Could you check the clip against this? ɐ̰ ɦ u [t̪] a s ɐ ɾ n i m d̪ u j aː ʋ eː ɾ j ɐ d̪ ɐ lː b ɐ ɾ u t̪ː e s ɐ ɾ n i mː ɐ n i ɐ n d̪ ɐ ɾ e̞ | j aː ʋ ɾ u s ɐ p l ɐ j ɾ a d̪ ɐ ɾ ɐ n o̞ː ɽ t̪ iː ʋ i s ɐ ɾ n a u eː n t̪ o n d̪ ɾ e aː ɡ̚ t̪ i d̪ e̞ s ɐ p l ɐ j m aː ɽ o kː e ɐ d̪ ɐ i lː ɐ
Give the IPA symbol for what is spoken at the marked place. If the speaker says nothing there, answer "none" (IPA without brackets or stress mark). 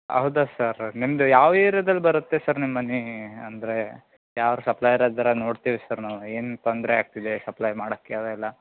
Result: d̪